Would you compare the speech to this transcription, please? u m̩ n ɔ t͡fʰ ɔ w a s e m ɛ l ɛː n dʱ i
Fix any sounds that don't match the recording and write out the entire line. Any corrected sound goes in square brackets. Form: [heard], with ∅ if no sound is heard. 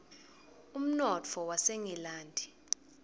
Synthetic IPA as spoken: u m̩ n ɔ t͡fʰ ɔ w a s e [ŋ] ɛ l [aː] n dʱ i